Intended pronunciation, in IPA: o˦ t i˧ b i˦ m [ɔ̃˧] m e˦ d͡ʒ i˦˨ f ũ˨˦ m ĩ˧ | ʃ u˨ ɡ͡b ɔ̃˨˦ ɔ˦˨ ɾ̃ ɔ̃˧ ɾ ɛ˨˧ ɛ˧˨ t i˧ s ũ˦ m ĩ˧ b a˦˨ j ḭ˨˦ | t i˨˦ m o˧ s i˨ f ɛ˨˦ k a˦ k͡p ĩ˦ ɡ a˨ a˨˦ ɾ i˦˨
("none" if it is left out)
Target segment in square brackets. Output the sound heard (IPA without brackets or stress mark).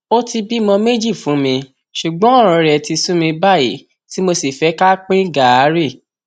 ɔ̃˧